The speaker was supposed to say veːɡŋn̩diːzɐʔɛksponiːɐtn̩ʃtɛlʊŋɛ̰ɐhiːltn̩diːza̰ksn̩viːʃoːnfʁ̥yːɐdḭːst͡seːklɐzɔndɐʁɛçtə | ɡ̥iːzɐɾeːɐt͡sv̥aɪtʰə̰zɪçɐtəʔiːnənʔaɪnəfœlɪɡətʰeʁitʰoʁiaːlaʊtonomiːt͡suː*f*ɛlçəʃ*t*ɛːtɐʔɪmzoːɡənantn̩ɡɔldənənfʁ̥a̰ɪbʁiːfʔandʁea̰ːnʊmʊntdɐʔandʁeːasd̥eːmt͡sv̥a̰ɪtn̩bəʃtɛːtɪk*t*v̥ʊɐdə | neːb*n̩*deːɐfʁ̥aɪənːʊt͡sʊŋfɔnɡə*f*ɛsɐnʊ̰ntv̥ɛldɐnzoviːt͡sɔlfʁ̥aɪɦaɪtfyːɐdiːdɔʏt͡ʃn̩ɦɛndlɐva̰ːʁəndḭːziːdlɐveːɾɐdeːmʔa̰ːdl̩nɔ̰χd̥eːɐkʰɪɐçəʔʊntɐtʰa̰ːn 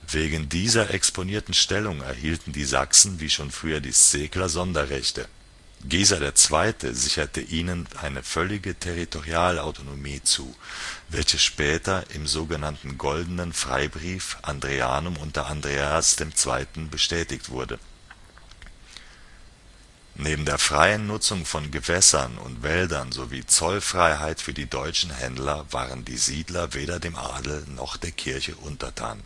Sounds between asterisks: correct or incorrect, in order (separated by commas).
incorrect, incorrect, correct, incorrect, incorrect